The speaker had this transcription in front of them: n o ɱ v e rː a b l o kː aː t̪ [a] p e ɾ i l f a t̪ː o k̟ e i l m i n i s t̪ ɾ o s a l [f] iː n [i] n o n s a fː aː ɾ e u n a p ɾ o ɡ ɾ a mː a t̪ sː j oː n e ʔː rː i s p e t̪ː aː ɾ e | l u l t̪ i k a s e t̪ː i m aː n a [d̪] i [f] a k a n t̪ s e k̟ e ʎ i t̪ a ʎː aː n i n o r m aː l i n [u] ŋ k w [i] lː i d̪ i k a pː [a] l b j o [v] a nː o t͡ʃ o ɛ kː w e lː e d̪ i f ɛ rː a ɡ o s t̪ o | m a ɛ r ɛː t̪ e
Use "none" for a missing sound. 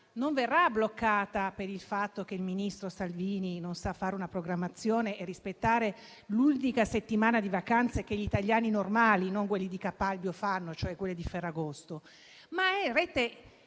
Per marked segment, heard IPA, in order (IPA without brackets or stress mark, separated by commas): a, v, i, d̪, v, o, e, a, f